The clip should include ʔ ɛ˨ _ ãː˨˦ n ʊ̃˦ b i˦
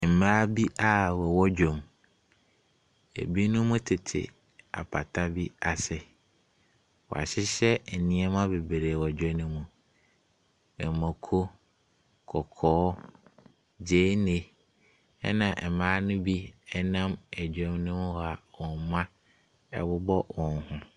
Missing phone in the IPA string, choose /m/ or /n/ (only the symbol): m